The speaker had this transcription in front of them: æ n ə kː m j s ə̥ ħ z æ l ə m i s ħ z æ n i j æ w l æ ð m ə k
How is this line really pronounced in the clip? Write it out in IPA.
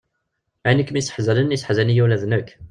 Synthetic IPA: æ n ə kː m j s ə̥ ħ z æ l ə n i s ħ z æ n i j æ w l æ ð n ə k